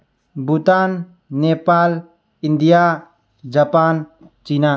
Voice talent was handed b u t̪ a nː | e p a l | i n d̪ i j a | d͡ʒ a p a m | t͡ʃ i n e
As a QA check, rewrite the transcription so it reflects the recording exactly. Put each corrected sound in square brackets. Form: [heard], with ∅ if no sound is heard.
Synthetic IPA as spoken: b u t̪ a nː | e p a l | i n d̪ i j a | d͡ʒ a p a [n] | t͡ʃ i n [a]